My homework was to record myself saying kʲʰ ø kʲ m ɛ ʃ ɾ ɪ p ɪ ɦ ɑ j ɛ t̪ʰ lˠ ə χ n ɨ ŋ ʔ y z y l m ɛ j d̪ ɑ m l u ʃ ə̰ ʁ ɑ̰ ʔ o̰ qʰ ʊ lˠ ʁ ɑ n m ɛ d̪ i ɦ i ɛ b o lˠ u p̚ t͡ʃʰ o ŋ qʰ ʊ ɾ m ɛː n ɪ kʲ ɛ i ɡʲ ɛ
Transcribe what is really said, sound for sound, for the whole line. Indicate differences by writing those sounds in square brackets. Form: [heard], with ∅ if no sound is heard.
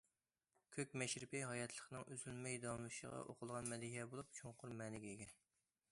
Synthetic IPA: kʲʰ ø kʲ m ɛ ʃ ɾ ɪ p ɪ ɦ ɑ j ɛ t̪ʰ lˠ ə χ n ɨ ŋ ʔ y z y l m ɛ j d̪ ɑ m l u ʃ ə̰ ʁ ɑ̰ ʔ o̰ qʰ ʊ lˠ ʁ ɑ n m ɛ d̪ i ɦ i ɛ b o lˠ u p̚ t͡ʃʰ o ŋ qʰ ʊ ɾ m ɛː n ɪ [ɡʲ] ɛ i ɡʲ ɛ